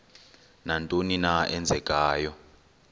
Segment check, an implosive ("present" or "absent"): absent